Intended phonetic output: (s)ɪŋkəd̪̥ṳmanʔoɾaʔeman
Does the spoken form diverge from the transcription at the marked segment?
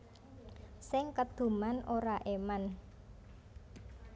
no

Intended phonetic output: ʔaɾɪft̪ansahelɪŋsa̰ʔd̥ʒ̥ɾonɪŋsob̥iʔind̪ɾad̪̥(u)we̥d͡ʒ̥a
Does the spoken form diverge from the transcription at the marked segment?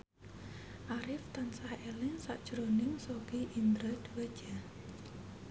no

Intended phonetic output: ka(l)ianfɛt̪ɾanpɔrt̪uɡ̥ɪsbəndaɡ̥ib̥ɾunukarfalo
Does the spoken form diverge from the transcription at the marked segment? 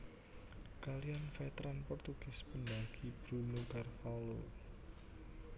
no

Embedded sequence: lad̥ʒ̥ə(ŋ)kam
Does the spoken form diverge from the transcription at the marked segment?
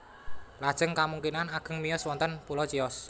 no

